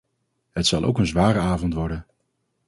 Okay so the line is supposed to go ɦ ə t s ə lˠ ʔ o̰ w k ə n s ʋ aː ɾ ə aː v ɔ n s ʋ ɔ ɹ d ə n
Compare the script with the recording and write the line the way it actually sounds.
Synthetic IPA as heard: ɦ ə t s ɑ lˠ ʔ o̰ w k ə n z ʋ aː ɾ ə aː v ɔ n t ʋ ɔ ɹ d ə n

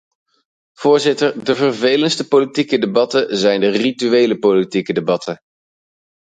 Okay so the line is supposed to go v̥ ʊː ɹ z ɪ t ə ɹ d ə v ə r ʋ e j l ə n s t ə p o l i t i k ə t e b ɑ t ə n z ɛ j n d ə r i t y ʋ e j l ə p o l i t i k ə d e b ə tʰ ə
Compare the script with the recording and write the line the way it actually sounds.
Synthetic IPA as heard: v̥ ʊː ɹ z ɪ t ə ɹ d ə v ə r v e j l ə n s t ə p o l i t i k ə d e b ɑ t ə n z ɛ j n d ə r i t y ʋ e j l ə p o l i t i k ə d e b ɑ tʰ ə

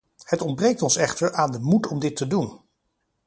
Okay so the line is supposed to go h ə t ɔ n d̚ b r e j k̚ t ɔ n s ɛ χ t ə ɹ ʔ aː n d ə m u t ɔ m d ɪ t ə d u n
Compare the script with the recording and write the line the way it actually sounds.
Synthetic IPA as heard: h ə t ɔ n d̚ b r e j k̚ t ɔ n s ɛ χ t ə ɹ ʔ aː n d ə m u t ɔ m d ɪ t ə d u n

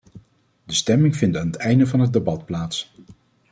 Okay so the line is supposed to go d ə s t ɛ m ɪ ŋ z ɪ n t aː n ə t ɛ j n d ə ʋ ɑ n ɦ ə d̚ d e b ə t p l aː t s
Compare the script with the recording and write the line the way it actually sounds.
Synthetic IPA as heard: d ə s t ɛ m ɪ ŋ v ɪ n t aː n ə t ɛ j n d ə v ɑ n ɦ ə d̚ d e b ɑ t p l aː t s

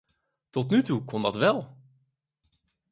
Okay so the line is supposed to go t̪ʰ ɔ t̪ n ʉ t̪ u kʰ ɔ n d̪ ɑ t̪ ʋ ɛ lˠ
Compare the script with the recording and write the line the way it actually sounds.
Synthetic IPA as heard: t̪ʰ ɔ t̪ n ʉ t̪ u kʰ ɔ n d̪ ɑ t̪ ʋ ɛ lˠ

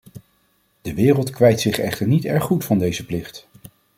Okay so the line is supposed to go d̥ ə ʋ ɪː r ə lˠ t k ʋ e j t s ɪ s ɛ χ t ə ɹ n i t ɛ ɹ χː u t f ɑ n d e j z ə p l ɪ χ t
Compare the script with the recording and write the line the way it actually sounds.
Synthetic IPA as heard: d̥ ə ʋ ɪː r ə lˠ t k ʋ ɛ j t s ɪ χ ɛ χ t ə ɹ n i t ɛ ɹ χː u t f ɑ n d e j z ə p l ɪ χ t

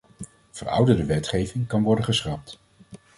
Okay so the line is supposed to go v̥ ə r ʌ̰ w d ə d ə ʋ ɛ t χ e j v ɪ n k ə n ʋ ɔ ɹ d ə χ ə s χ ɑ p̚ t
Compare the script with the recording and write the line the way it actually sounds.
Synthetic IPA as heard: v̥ ə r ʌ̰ w d ə d ə ʋ ɛ t χ e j v ɪ ŋ k ɑ n ʋ ɔ ɹ d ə χ ə s χ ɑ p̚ t

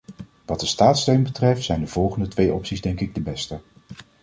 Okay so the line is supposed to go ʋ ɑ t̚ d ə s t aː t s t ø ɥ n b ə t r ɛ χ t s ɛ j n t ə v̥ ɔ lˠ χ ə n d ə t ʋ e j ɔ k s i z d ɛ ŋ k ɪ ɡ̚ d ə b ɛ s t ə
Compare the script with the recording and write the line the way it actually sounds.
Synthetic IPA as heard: ʋ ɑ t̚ d ə s t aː t s t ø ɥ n b ə t r ɛ f t s ɛ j n d ə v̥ ɔ lˠ χ ə n d ə t ʋ e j ɔ p s i z d ɛ ŋ k ɪ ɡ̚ d ə b ɛ s t ə

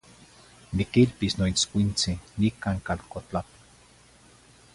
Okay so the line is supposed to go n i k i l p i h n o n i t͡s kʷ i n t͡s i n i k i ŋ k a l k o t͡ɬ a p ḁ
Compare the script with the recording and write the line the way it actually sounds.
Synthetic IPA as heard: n i k i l p i s n o i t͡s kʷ i n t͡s i n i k a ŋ k a l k o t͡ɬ a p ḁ

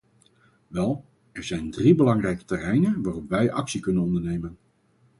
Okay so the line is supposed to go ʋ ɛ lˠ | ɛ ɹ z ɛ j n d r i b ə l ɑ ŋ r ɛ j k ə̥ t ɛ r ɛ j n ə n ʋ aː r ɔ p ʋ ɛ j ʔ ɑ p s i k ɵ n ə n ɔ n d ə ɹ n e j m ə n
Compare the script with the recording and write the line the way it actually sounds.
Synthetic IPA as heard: ʋ ɛ lˠ | ɛ ɹ z ɛ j n d r i b ə l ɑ ŋ r ɛ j k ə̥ t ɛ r ɛ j n ə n ʋ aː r ɔ p ʋ ɛ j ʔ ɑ k s i k ɵ n ə n ɔ n d ə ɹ n e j m ə n

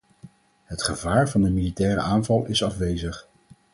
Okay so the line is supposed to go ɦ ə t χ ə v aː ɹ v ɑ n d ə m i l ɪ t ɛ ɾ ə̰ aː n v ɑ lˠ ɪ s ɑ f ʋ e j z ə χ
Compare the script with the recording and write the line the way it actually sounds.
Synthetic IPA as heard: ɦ ə t χ ə v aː ɹ v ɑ n d ə m i l i t ɛː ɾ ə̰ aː n v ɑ lˠ ɪ s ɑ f ʋ e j z ə χ

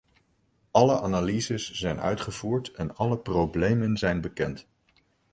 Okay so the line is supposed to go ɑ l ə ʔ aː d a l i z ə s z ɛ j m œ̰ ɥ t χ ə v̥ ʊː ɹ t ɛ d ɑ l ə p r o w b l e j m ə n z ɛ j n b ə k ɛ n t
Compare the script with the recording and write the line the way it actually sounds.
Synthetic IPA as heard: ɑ l ə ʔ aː n a l i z ə s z ɛ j n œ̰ ɥ t χ ə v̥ uː ɹ t ɛ n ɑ l ə p r o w b l e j m ə n z ɛ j n b ə k ɛ n t

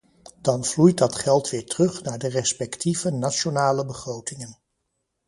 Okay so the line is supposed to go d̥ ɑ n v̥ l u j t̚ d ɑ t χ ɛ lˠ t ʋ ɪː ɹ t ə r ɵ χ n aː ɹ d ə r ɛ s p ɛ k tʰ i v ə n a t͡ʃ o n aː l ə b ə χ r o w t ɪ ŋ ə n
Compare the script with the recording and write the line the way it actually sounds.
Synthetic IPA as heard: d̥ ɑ n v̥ l u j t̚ d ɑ t χ ɛ lˠ t ʋ ɪː ɹ t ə r ɵ χ n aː ɹ d ə r ɛ s p ɛ k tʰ i v ə n a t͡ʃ o n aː l ə b ə χ r o w t ɪ ŋ ə n

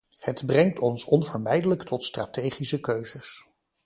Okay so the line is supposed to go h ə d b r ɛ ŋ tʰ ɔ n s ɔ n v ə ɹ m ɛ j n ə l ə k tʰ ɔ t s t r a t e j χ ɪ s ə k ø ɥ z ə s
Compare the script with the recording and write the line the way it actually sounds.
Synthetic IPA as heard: h ə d b r ɛ ŋ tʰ ɔ n s ɔ n v ə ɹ m ɛ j d ə l ə k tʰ ɔ t s t r a t e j χ i s ə k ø ɥ z ə s

